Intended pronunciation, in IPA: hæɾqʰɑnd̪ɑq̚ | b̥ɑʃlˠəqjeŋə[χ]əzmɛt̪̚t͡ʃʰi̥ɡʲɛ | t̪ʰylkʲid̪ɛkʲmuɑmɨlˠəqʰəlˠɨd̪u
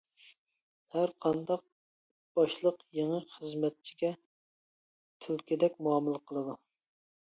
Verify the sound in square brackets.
correct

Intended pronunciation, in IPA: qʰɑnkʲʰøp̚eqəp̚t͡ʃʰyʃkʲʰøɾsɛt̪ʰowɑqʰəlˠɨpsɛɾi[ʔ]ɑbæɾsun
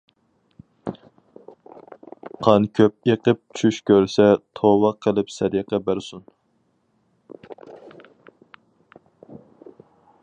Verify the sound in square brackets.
incorrect: q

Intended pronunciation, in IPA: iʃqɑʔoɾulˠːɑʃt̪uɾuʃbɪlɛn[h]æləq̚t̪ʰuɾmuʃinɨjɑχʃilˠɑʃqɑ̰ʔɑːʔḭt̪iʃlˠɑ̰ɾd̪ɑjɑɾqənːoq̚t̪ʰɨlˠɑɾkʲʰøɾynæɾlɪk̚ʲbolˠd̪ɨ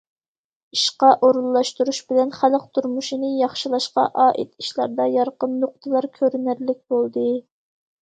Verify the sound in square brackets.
incorrect: χ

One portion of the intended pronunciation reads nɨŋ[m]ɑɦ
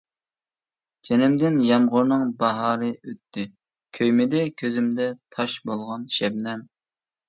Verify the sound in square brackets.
incorrect: b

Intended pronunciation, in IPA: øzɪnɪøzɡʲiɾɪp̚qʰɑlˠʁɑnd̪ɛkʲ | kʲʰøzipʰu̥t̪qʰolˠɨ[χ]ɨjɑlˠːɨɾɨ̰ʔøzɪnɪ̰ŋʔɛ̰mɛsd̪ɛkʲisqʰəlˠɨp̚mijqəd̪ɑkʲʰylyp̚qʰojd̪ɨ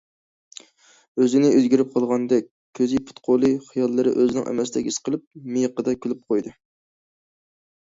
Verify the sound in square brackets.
correct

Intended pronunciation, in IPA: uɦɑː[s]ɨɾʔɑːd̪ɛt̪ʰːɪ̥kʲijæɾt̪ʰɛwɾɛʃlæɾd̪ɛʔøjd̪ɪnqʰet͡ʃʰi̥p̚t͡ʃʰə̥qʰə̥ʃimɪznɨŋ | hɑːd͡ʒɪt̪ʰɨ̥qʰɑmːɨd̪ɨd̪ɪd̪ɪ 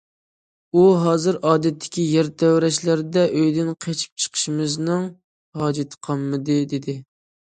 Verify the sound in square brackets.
incorrect: z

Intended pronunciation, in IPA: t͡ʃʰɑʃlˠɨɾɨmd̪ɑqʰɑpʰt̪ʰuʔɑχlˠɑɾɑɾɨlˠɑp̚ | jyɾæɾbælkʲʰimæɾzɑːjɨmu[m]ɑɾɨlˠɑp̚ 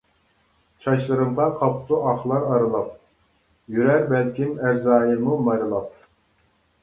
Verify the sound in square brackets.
correct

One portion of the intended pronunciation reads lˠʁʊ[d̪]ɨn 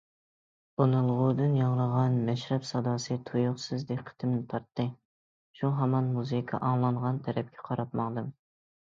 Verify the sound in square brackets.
correct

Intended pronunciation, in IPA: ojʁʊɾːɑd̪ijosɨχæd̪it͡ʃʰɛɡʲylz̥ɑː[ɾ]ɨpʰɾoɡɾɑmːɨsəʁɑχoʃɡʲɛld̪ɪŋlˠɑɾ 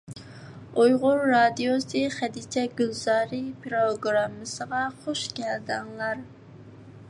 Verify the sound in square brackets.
correct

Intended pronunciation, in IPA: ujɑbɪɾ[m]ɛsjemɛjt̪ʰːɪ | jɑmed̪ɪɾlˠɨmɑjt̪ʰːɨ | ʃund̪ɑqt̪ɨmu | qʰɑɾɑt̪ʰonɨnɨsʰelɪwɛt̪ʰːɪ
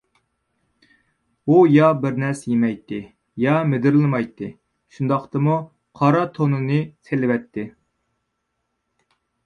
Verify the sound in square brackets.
incorrect: n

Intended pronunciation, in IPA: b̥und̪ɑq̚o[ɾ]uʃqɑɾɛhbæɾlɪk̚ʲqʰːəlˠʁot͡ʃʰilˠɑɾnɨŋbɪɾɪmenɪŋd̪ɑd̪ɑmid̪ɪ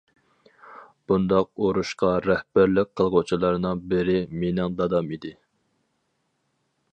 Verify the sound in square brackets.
correct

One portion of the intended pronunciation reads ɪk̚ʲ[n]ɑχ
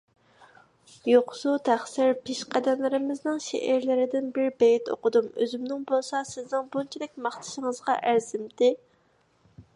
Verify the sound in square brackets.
incorrect: m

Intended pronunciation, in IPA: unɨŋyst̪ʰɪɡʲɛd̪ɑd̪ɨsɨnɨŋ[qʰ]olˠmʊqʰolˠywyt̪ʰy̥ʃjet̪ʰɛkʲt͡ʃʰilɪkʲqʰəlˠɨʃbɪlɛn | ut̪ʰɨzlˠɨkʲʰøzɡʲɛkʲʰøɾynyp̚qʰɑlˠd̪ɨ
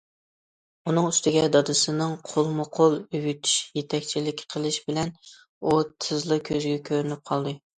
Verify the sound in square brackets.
correct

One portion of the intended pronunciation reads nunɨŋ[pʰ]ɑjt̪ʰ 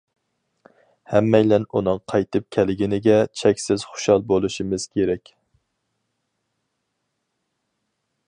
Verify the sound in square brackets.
incorrect: qʰ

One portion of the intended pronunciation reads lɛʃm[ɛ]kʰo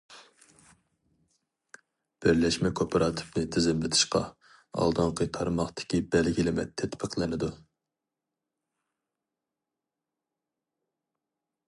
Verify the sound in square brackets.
correct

